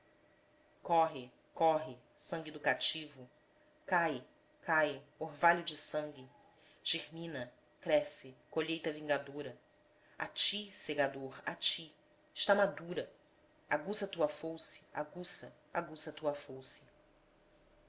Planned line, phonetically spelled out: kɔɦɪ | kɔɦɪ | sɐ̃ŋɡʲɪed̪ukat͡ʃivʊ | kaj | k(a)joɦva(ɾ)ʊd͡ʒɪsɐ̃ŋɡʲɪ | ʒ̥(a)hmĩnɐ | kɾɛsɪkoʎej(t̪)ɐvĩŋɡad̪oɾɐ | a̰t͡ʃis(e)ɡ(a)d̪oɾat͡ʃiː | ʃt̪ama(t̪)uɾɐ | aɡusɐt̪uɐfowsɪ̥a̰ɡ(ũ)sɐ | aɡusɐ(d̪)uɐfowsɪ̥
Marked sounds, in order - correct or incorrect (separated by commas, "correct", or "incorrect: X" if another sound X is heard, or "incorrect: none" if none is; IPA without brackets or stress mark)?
correct, incorrect: ʎ, incorrect: e, correct, correct, correct, incorrect: d̪, incorrect: u, incorrect: t̪